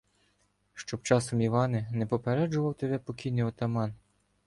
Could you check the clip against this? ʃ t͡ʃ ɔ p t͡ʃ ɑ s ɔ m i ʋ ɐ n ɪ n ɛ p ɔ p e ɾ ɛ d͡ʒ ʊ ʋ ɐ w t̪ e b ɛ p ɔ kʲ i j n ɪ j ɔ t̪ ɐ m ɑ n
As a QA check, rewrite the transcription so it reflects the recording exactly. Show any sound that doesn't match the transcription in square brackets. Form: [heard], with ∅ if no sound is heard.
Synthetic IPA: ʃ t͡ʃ ɔ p t͡ʃ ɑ s ɔ m i ʋ [ɑ] n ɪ n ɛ p ɔ p e ɾ ɛ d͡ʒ ʊ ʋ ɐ w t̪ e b ɛ p ɔ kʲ i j n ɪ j ɔ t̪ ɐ m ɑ n